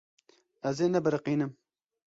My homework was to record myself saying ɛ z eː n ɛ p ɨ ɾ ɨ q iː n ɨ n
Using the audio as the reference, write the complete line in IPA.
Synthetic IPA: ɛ z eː n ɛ b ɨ ɾ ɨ q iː n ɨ m